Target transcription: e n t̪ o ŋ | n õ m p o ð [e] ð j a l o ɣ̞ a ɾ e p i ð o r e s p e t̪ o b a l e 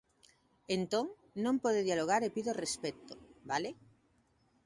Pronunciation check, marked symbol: correct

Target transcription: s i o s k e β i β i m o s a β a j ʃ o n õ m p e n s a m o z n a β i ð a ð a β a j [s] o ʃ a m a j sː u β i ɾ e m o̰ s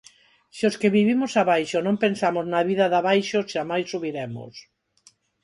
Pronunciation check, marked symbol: incorrect: ʃ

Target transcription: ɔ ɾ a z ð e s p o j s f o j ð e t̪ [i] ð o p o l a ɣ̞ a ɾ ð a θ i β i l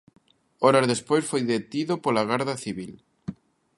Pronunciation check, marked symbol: correct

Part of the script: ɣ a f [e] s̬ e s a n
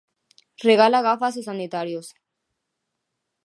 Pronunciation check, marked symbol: incorrect: a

